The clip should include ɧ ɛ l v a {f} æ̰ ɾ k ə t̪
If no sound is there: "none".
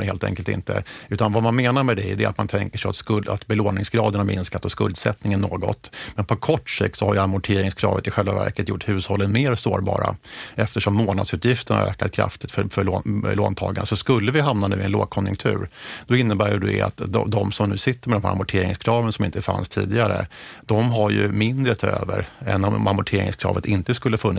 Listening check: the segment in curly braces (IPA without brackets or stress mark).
v